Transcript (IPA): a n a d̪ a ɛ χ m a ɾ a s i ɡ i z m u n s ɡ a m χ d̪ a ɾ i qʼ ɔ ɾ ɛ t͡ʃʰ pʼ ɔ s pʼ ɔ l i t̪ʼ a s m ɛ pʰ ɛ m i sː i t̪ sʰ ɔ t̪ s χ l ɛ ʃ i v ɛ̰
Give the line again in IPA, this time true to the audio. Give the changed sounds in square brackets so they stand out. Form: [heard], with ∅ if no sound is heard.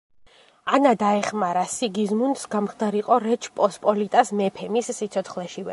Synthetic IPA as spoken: a n a d̪ a ɛ χ m a ɾ a s i ɡ i z m u n s ɡ a m χ d̪ a ɾ i qʼ ɔ ɾ ɛ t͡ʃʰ pʼ ɔ s pʼ ɔ l i t̪ʼ a s m ɛ pʰ ɛ m i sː i t̪ sʰ ɔ t̪ s χ l ɛ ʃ i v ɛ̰